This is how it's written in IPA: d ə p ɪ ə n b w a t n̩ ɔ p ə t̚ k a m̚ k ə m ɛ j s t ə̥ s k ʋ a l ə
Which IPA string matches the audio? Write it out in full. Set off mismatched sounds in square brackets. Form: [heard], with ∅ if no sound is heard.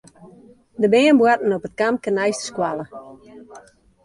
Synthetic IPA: d ə [b] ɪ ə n b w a t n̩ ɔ p ə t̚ k a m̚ k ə [n] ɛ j s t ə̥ s k [w] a l ə

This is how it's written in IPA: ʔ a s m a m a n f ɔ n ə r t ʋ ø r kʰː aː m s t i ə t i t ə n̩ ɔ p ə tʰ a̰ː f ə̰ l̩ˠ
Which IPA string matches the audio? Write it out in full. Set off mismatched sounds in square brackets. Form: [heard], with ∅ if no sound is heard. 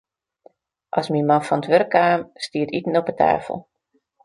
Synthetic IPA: ʔ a s m [i] m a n f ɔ n ə [∅] t ʋ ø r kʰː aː m s t i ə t i t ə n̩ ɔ p ə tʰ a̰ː f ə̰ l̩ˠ

